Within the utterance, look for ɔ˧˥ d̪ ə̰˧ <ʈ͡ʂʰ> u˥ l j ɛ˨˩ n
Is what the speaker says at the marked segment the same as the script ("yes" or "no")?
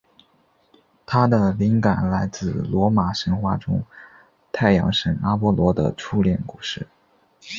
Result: yes